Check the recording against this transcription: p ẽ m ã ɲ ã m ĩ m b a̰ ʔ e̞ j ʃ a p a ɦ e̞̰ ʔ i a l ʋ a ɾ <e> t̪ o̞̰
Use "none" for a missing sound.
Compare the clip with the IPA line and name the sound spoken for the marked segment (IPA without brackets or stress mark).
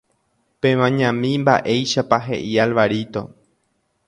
i